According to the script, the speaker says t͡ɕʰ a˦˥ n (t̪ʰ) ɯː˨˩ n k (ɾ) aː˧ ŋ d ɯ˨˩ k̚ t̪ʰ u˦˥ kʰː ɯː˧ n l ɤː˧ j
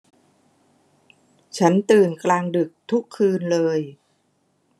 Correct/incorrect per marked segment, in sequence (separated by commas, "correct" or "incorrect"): incorrect, incorrect